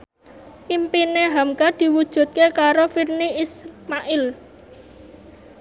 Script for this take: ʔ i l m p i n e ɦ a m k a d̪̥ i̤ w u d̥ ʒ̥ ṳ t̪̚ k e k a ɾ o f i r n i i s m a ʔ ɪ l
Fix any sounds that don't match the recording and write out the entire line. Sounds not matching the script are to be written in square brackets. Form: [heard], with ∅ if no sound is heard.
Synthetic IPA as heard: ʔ i [∅] m p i n e ɦ a m k a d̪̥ i̤ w u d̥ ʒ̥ ṳ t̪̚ k e k a ɾ o f i r n i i s m a ʔ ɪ l